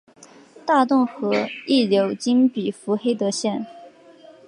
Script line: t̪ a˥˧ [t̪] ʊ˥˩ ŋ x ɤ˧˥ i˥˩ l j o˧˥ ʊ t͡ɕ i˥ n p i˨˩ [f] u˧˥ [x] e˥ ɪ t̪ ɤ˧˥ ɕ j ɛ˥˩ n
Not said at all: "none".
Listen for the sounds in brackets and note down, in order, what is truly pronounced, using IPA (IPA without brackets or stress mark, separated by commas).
t̪, f, x